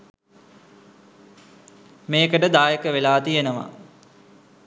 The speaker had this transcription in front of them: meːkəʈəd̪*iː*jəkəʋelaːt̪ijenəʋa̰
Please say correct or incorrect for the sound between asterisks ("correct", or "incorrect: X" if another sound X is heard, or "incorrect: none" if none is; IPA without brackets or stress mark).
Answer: incorrect: aː